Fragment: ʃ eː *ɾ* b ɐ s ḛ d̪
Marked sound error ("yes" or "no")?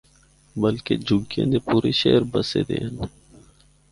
no